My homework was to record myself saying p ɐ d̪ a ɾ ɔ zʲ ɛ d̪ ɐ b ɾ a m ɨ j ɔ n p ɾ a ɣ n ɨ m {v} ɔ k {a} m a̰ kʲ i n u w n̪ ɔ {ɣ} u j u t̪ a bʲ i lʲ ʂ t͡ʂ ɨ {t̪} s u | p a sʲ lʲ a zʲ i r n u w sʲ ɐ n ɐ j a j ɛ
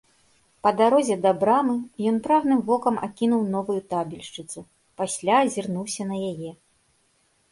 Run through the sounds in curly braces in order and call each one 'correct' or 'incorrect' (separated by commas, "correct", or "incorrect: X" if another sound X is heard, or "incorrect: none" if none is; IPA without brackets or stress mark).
correct, incorrect: ɐ, incorrect: v, correct